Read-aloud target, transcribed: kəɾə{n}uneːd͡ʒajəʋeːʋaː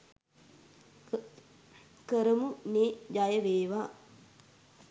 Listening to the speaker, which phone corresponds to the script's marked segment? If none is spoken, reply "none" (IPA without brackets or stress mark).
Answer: m